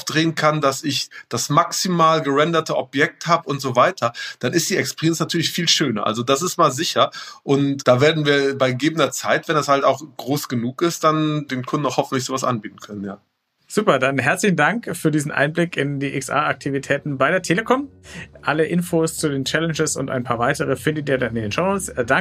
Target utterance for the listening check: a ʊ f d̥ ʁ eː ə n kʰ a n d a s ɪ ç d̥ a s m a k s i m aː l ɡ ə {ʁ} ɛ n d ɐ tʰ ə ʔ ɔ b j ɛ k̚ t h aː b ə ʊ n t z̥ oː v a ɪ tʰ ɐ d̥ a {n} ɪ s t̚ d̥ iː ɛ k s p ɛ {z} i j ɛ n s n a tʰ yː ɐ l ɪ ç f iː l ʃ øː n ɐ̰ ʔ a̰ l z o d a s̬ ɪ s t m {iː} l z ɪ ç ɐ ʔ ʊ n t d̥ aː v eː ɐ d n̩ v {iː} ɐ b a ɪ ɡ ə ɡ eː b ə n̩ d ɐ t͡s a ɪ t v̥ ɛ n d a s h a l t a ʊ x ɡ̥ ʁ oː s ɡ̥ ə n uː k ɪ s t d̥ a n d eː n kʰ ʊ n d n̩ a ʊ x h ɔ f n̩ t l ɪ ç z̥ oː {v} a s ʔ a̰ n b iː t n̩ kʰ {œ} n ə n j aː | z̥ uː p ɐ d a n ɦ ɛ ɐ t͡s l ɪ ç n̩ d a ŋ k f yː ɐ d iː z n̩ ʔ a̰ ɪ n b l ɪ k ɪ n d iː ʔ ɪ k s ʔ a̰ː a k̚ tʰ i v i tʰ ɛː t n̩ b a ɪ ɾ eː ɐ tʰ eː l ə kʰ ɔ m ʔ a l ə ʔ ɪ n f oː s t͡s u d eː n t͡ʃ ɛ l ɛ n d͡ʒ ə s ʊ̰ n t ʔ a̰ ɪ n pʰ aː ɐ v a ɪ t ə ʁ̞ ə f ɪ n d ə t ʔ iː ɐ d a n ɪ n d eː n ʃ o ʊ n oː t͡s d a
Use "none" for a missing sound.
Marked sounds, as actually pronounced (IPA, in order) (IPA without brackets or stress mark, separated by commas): ʁ, n, ʁ, aː, iː, v, œ